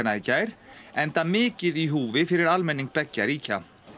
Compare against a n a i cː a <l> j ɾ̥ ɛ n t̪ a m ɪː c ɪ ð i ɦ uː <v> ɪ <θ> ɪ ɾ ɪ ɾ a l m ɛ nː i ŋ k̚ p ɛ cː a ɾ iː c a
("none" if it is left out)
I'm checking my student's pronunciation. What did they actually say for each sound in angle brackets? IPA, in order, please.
none, v, f

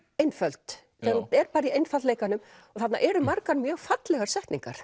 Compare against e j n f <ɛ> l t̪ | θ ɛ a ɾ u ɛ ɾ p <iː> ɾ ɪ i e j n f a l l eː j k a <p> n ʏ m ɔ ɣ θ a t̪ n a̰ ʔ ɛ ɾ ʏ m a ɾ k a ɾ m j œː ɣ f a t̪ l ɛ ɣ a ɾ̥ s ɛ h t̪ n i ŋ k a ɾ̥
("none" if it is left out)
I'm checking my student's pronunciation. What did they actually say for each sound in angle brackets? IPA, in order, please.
œ, aː, none

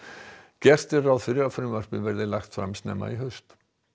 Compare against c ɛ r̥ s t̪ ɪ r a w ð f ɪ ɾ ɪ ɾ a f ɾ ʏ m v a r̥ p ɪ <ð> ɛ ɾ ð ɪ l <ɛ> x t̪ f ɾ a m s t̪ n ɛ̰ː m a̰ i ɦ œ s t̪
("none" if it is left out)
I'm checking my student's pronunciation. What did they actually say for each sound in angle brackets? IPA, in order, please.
v, a

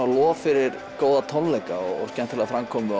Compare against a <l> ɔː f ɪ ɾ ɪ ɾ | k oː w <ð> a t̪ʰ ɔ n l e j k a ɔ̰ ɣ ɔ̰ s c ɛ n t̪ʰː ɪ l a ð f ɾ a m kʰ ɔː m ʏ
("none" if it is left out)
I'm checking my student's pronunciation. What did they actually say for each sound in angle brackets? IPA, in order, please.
l, ð

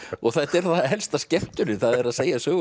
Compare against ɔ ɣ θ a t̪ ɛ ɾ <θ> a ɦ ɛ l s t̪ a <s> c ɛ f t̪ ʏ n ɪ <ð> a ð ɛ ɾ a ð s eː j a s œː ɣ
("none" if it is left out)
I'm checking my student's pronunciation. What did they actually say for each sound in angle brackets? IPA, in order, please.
θ, s, θ

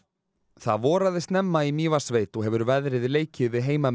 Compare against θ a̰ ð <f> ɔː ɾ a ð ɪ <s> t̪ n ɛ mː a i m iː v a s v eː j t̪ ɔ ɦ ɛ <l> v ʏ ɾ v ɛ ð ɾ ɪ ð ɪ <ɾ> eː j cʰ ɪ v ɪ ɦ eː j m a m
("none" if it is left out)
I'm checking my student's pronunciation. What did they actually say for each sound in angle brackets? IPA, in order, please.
v, s, none, l

